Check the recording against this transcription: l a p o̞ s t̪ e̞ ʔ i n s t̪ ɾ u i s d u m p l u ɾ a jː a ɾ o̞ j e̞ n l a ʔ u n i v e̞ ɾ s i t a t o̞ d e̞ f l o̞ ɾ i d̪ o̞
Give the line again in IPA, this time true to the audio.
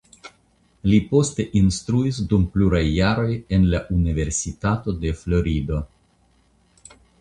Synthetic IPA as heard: l i p o̞ s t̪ e̞ ʔ i n s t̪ ɾ u i s d u m p l u ɾ a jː a ɾ o̞ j e̞ n l a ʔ u n i v e̞ ɾ s i t a t o̞ d e̞ f l o̞ ɾ i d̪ o̞